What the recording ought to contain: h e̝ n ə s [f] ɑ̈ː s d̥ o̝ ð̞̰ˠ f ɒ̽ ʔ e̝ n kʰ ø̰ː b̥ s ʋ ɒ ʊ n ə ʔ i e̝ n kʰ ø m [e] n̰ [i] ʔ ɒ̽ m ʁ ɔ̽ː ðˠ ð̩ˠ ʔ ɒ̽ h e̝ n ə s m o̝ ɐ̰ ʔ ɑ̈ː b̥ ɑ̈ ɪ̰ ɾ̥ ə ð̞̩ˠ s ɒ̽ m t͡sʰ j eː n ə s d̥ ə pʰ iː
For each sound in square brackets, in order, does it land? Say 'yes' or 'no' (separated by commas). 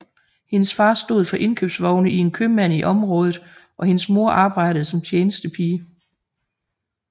yes, no, yes